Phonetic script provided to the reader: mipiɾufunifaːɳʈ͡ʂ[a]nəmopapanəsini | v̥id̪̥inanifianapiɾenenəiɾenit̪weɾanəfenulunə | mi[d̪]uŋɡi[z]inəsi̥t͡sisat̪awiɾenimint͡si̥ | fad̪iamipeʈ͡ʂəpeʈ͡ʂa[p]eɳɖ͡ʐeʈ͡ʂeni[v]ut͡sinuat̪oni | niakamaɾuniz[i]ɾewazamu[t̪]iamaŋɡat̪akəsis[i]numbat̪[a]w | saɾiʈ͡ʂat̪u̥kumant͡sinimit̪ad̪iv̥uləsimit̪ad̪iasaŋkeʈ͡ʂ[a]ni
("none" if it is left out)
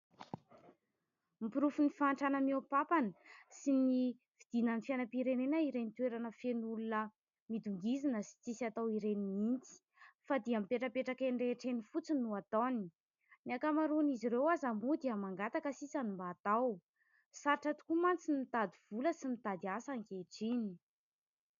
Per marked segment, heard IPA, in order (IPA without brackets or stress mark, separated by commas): a, d̪, z, k, f, i, d̪, a, a, i